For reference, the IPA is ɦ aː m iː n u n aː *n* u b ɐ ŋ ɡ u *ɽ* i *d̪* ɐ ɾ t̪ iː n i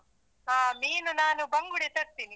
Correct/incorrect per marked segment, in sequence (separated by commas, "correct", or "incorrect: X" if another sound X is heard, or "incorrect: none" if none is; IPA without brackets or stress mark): correct, correct, incorrect: t̪